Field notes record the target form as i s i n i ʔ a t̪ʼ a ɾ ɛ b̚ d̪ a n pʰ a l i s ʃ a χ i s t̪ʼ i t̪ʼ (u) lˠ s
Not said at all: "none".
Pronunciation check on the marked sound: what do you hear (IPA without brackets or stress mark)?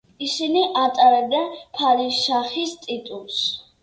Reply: u